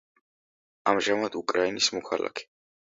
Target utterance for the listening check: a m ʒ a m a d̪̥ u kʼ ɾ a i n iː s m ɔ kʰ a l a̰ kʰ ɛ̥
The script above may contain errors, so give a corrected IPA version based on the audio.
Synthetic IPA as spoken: a m ʒ a m a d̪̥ u kʼ ɾ a i n i s m ɔ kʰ a l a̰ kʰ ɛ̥